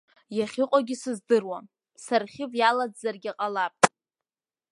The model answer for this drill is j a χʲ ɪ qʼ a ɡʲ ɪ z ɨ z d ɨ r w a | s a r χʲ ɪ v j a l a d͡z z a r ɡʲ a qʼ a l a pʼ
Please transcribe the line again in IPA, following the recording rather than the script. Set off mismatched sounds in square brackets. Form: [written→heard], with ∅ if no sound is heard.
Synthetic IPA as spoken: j a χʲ ɪ qʼ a ɡʲ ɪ [z→s] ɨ z d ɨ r w a | s a r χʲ ɪ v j a l a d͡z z a r ɡʲ a qʼ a l a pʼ